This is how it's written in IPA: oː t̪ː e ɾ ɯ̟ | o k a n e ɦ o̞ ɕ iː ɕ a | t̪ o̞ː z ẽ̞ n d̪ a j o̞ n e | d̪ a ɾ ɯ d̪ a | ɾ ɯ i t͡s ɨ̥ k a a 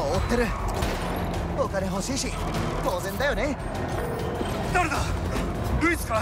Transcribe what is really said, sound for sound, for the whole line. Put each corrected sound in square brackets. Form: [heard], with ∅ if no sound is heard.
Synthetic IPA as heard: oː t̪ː e ɾ ɯ̟ | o k a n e ɦ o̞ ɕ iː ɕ [i] | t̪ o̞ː z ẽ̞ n d̪ a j o̞ n e | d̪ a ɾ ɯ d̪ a | ɾ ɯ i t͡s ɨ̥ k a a

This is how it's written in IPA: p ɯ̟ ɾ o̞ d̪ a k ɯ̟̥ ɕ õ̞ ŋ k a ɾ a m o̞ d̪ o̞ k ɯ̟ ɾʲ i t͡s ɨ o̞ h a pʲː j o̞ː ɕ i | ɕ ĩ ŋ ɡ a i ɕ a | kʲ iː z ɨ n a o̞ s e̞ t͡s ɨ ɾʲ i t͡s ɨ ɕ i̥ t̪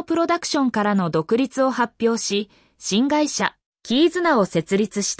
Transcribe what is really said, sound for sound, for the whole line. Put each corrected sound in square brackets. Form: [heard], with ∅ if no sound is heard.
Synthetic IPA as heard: p ɯ̟ ɾ o̞ d̪ a k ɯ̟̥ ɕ õ̞ ŋ k a ɾ a [n] o̞ d̪ o̞ k ɯ̟ ɾʲ i t͡s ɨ o̞ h a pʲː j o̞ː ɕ i | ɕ ĩ ŋ ɡ a i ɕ a | kʲ iː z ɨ n a o̞ s e̞ t͡s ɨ ɾʲ i t͡s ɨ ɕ i̥ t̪

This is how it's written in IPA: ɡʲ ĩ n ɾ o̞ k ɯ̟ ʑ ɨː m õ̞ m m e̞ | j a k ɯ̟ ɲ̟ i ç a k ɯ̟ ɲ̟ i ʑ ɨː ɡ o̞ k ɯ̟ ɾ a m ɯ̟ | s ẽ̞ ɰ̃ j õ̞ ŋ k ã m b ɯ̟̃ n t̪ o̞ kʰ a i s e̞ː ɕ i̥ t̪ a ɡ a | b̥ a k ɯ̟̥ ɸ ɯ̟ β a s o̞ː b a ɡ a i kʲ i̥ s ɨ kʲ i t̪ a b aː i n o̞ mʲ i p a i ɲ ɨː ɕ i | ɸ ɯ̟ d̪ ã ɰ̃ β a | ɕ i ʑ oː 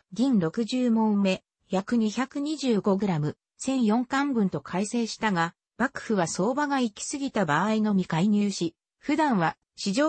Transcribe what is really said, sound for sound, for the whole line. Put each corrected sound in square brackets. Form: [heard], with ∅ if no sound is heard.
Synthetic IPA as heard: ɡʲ ĩ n ɾ o̞ k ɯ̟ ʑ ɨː m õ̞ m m e̞ | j a k ɯ̟ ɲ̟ i ç a k ɯ̟ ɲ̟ i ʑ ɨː ɡ o̞ [ɡ] ɯ̟ ɾ a m ɯ̟ | s ẽ̞ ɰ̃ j õ̞ ŋ k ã m b ɯ̟̃ n t̪ o̞ kʰ a i s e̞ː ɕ i̥ t̪ a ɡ a | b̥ a k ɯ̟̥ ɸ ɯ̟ β a s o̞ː b a ɡ a i kʲ i̥ s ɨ [ɡʲ] i t̪ a b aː i n o̞ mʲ i [k] a i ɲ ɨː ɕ i | ɸ ɯ̟ d̪ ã ɰ̃ β a | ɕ i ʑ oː

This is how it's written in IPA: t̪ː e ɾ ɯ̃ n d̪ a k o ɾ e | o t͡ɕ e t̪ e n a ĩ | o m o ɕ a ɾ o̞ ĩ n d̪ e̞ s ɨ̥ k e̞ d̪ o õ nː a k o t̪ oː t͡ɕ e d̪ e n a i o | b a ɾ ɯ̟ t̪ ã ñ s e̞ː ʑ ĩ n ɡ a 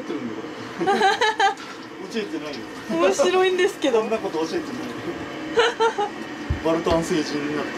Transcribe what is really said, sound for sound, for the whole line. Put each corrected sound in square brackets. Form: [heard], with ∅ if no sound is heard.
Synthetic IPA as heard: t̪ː e ɾ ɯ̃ n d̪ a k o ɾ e | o t͡ɕ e t̪ e n a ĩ | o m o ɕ [i] ɾ o̞ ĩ n d̪ e̞ s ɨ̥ k e̞ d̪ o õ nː a k o t̪ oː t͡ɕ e [t̪] e n a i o | b a ɾ ɯ̟ t̪ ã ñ s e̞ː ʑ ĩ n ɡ a

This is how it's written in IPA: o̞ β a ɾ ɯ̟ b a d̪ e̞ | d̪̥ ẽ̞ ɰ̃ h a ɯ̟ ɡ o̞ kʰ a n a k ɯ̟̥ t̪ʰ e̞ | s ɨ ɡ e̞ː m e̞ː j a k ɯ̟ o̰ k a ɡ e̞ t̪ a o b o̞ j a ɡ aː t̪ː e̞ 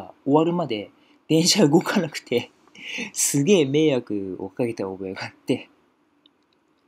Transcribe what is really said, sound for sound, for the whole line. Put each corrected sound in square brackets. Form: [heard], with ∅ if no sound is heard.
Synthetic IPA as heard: o̞ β a ɾ ɯ̟ [m] a d̪ e̞ | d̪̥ ẽ̞ ɰ̃ [ɕ] a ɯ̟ ɡ o̞ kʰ a n a k ɯ̟̥ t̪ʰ e̞ | s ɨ ɡ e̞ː m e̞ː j a k ɯ̟ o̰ k a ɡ e̞ t̪ a o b o̞ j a ɡ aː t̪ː e̞

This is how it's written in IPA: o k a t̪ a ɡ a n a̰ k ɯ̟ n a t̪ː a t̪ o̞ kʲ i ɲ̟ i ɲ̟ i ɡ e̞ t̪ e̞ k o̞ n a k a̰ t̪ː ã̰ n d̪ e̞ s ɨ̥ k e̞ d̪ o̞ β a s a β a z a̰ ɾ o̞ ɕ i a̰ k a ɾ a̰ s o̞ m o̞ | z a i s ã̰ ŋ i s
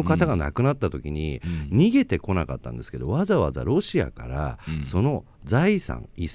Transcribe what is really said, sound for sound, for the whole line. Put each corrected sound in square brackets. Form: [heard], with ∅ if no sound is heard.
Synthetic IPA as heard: o k a t̪ a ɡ a n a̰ k ɯ̟ n a t̪ː a t̪ o̞ kʲ i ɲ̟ i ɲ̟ i ɡ e̞ t̪ e̞ k o̞ n a k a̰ t̪ː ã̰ n d̪ e̞ s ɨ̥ k e̞ d̪ o̞ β a [z] a β a z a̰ ɾ o̞ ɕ i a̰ k a ɾ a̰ s o̞ [n] o̞ | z a i s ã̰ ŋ i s

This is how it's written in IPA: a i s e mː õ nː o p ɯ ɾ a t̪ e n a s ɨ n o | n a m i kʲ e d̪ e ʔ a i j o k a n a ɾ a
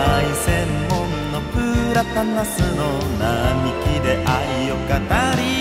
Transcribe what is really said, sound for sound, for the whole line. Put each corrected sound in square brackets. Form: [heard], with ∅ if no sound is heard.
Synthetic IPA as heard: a i s e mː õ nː o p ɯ ɾ a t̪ [a] n a s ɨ n o | n a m i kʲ [i] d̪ e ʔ a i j o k a n a ɾ [i]

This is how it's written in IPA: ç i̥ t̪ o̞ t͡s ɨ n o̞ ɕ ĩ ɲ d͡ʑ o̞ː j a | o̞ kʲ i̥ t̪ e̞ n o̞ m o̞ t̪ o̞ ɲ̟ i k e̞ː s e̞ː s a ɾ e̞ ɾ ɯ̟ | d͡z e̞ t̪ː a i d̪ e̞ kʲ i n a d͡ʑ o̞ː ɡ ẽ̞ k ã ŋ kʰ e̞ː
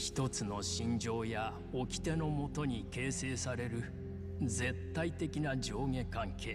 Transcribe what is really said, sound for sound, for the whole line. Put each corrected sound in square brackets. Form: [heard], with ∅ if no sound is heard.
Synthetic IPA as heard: ç i̥ t̪ o̞ t͡s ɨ n o̞ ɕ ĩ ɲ d͡ʑ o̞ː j a | o̞ kʲ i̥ t̪ e̞ n o̞ m o̞ t̪ o̞ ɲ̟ i k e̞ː s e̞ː s a ɾ e̞ ɾ ɯ̟ | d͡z e̞ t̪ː a i [t̪] e̞ kʲ i n a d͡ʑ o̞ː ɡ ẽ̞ k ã ŋ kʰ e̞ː

